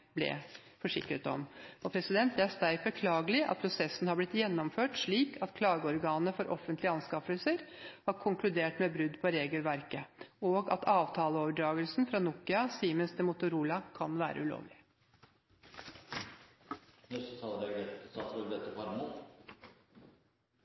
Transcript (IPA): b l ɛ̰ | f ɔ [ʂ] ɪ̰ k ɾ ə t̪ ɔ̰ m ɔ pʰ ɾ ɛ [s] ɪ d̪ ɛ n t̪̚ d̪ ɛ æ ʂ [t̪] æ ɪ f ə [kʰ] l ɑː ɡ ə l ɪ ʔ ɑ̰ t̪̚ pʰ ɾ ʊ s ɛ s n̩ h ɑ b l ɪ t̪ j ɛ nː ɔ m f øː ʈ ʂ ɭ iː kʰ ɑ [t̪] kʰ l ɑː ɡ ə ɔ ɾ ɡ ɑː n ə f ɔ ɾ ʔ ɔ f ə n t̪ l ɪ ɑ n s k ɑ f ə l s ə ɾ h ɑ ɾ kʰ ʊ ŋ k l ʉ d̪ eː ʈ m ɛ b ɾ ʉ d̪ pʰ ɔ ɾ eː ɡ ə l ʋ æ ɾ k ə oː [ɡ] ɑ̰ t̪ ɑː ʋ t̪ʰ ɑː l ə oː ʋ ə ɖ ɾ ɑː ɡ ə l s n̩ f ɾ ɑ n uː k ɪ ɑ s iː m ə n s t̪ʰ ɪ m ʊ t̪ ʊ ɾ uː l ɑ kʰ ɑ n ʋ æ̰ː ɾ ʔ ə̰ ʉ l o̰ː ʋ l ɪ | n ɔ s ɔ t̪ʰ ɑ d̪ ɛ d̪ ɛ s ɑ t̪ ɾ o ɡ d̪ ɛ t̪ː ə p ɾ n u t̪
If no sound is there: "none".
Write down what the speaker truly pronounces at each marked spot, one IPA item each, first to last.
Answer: ʂ, s, t̪, kʰ, t̪, ɡ

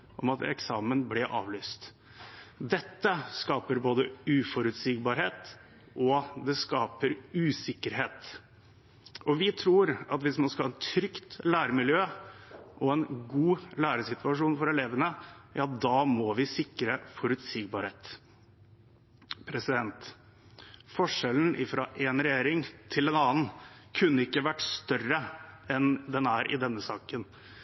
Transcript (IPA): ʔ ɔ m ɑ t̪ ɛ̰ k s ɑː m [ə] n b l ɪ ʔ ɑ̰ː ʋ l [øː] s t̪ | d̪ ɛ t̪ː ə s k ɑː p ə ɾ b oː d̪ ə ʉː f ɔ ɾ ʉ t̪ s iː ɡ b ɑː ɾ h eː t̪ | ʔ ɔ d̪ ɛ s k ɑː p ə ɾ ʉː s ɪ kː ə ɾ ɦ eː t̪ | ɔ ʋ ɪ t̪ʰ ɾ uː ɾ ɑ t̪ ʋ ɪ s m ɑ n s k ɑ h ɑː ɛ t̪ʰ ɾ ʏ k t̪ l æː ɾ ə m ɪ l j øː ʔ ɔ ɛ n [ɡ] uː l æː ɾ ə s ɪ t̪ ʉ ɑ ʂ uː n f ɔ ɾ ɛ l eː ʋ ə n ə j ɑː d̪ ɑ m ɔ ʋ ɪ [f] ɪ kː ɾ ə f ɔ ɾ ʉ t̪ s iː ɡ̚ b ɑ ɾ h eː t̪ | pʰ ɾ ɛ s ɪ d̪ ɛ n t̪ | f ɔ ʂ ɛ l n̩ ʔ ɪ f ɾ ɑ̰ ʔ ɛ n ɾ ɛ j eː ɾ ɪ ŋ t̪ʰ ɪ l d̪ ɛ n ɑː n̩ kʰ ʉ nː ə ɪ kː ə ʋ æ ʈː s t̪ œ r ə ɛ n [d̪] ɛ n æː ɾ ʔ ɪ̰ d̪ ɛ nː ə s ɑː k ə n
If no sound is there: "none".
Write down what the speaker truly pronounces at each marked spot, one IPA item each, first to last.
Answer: ə, yː, ɡ, s, d̪

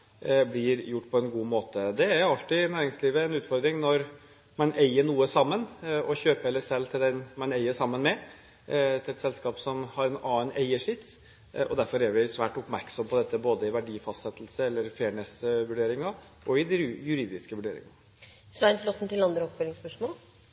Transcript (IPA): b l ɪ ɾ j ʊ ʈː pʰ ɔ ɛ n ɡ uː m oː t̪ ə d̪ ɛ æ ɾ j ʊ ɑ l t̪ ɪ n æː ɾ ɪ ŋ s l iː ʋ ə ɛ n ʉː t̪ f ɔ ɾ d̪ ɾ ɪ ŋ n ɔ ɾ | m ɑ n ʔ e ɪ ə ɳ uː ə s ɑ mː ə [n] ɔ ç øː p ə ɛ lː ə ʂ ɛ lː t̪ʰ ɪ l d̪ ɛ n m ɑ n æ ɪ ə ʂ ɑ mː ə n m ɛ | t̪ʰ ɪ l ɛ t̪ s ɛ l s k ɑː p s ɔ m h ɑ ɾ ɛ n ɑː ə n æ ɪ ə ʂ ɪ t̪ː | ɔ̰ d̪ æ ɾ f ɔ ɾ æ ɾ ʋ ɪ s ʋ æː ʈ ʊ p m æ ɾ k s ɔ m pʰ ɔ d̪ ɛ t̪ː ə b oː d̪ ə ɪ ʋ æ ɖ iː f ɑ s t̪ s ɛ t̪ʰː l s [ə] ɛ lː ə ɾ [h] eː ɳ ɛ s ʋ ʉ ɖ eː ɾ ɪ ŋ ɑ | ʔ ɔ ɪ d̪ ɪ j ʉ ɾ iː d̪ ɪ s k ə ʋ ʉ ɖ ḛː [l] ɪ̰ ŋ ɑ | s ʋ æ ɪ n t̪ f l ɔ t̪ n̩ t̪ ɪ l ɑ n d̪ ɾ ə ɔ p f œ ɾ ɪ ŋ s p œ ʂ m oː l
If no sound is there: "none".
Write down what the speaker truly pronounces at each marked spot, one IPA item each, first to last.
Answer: n, ə, f, ɾ

